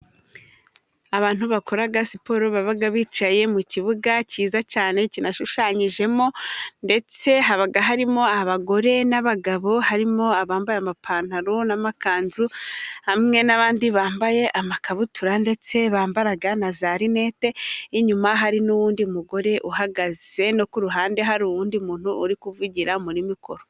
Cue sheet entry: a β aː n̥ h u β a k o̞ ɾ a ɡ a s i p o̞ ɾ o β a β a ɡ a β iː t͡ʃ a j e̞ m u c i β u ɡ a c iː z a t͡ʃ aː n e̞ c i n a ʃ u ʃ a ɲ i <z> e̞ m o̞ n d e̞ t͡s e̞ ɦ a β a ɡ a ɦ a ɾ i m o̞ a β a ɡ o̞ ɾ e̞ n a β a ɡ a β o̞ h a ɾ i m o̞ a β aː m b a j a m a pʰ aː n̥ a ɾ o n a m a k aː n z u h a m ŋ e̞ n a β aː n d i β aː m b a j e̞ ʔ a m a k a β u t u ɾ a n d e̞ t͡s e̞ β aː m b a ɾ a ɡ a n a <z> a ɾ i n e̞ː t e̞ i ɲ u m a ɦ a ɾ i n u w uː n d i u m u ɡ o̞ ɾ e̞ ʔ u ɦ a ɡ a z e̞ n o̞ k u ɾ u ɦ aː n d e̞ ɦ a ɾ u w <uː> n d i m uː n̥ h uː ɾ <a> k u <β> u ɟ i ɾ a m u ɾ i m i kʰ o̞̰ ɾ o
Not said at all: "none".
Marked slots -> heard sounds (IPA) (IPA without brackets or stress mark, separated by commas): ʒ, z, uː, i, v